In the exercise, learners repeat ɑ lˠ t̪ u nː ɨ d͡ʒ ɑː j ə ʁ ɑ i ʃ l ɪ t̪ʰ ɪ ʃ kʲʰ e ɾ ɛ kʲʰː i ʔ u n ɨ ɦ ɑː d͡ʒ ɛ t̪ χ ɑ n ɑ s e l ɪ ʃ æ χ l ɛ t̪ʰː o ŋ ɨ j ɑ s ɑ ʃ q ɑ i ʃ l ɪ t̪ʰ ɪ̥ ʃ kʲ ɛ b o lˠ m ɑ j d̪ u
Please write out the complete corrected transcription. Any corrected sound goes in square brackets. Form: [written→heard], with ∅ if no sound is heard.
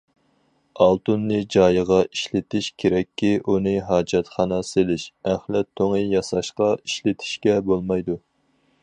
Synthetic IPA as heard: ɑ lˠ t̪ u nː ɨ d͡ʒ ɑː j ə ʁ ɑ i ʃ l ɪ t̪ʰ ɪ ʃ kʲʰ e ɾ ɛ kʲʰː i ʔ u n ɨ ɦ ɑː d͡ʒ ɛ t̪ χ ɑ n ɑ s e l ɪ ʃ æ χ l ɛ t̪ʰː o ŋ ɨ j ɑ s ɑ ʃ q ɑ i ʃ l ɪ t̪ʰ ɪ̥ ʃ kʲ ɛ b o lˠ m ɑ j d̪ u